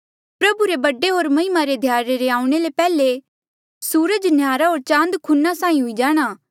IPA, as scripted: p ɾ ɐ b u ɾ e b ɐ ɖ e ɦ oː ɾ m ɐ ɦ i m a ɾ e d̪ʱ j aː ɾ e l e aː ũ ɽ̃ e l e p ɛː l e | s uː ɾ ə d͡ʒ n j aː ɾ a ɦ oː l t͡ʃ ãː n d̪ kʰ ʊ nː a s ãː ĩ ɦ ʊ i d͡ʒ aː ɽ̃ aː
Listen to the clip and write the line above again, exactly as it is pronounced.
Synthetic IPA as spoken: p ɾ ɐ b u ɾ e b ɐ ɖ e ɦ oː ɾ m ɐ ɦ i m a ɾ e d̪ʱ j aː ɾ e ɾ e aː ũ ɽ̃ e l e p ɛː l e | s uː ɾ ə d͡ʒ n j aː ɾ a ɦ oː ɾ t͡ʃ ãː n d̪ kʰ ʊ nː a s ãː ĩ ɦ ʊ i d͡ʒ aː ɽ̃ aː